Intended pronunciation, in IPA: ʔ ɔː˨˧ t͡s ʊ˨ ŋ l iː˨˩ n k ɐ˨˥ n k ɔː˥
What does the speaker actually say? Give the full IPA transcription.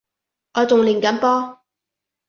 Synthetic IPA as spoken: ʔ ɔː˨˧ t͡s ʊ˨ ŋ l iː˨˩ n k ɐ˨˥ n p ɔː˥